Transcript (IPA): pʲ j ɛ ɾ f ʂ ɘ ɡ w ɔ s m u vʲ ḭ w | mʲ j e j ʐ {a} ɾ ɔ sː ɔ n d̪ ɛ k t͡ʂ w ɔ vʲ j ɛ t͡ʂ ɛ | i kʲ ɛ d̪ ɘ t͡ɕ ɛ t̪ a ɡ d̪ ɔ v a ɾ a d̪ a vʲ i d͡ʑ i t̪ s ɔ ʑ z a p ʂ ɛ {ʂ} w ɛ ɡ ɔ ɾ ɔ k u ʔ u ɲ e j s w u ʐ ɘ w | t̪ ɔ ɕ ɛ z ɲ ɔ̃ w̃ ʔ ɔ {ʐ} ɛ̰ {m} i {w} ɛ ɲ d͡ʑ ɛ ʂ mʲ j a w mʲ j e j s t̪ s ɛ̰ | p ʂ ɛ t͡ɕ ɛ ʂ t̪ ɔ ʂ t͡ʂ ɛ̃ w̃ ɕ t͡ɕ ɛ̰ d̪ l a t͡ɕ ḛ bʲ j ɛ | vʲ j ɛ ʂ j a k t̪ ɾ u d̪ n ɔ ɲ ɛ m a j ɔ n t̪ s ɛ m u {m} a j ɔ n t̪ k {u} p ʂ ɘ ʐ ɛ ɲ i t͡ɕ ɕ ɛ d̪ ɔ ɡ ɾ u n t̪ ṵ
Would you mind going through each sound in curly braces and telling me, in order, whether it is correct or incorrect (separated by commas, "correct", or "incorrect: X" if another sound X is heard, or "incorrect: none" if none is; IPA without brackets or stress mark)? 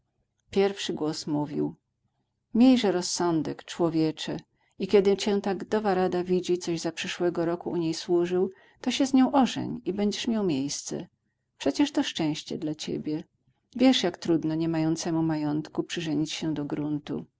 incorrect: ɛ, correct, correct, incorrect: ɲ, incorrect: b, correct, correct